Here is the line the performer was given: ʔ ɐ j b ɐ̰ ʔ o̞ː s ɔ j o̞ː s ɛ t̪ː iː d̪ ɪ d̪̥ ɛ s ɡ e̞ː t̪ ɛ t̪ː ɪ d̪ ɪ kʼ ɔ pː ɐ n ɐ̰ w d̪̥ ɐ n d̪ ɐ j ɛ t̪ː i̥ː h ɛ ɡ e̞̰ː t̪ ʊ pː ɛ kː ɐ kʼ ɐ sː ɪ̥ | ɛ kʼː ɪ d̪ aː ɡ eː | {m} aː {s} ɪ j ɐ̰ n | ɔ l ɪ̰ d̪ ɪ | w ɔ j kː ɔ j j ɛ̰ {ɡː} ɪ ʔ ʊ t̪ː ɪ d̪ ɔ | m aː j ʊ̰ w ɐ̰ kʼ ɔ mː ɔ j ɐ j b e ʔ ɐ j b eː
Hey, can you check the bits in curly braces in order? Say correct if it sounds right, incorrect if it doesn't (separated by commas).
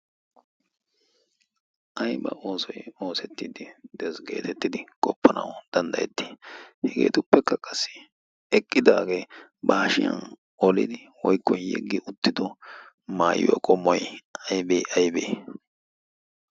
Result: incorrect, incorrect, correct